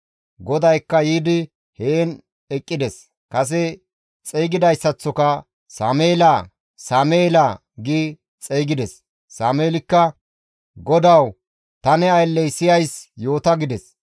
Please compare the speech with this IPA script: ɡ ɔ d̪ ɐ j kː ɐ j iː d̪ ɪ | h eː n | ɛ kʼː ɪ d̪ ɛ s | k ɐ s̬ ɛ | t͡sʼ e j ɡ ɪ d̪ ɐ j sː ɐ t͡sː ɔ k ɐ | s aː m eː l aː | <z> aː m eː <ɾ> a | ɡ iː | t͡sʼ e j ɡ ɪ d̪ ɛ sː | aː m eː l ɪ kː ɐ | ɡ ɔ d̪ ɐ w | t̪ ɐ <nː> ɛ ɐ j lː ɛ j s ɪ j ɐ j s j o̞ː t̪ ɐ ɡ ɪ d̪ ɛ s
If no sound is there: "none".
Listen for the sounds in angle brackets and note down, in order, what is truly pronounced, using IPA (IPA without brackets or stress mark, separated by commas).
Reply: s, l, n